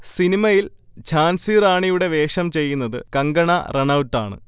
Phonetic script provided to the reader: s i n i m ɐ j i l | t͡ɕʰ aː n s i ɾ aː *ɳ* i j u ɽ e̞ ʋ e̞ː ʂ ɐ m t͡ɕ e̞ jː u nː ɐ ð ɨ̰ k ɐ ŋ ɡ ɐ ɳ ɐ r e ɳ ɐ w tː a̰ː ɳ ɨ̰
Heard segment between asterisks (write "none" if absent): ɳ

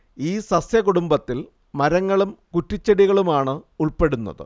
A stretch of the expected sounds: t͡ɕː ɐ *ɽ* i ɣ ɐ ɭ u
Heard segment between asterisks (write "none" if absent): ɽ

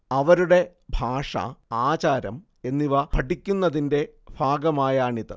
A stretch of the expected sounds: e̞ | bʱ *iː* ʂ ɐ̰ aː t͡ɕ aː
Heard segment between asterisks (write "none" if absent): aː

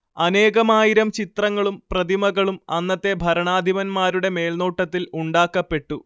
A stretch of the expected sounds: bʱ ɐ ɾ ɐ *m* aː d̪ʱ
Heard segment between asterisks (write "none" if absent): ɳ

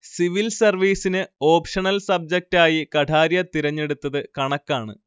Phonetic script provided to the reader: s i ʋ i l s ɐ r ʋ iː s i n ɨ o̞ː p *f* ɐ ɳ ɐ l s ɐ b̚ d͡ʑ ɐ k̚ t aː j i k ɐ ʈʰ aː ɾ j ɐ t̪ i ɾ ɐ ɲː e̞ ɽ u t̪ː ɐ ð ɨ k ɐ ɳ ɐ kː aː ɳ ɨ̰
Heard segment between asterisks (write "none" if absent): ʂ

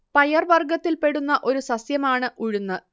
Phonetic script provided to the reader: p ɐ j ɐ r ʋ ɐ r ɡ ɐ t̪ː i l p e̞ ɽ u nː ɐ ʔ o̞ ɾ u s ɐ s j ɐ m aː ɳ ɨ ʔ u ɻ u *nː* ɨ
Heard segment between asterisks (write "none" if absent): nː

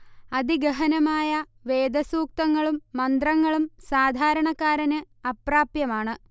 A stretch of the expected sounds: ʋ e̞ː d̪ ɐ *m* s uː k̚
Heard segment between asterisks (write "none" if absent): none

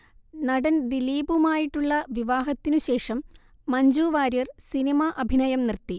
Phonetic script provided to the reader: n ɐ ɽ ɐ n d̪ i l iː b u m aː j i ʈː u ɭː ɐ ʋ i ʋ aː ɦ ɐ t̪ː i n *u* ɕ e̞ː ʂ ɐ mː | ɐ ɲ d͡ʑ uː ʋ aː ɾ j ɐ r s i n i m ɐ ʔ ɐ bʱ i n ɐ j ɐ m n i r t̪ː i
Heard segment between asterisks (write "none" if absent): u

